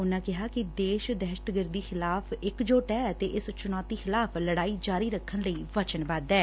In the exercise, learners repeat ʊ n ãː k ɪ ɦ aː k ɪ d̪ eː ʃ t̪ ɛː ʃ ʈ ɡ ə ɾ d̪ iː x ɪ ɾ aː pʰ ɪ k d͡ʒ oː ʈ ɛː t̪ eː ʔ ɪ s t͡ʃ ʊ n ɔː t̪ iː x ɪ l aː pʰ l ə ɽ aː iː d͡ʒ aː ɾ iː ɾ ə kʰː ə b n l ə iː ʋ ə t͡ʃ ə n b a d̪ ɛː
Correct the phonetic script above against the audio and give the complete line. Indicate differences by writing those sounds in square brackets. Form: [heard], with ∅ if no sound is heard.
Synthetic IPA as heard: ʊ n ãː k ɪ ɦ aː k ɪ d̪ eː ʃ [d̪] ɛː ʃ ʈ ɡ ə ɾ d̪ iː x ɪ [l] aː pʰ ɪ k d͡ʒ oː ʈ ɛː t̪ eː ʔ ɪ s t͡ʃ ʊ n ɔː t̪ iː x ɪ l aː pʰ l ə ɽ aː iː d͡ʒ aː ɾ iː ɾ ə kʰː ə [∅] n l ə iː ʋ ə t͡ʃ ə n b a d̪ ɛː